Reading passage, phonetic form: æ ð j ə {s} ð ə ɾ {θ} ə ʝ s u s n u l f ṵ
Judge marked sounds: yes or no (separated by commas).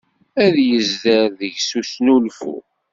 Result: no, no